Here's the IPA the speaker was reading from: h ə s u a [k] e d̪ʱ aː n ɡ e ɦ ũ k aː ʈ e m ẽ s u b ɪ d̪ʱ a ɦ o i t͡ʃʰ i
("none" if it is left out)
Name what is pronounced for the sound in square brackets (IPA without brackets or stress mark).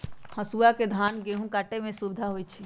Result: k